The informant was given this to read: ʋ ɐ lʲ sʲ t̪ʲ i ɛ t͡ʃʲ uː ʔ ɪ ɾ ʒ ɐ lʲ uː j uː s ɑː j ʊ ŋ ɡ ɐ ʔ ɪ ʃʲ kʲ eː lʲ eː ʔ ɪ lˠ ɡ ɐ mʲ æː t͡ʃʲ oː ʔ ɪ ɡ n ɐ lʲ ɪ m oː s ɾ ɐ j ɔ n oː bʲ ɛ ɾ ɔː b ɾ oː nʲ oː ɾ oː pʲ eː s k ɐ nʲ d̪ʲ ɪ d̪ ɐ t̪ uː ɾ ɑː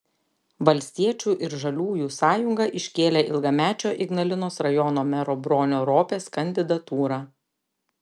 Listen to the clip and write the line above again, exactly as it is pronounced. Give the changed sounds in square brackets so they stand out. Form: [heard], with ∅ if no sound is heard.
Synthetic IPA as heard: ʋ ɐ lʲ sʲ t̪ʲ i ɛ t͡ʃʲ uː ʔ ɪ ɾ ʒ ɐ lʲ uː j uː s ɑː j ʊ ŋ ɡ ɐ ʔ ɪ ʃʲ kʲ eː lʲ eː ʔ ɪ lˠ ɡ ɐ mʲ æː t͡ʃʲ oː ʔ ɪ ɡ n ɐ lʲ ɪ [n] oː s ɾ ɐ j ɔ n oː [mʲ] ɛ ɾ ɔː b ɾ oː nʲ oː ɾ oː pʲ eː s k ɐ nʲ d̪ʲ ɪ d̪ ɐ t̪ uː ɾ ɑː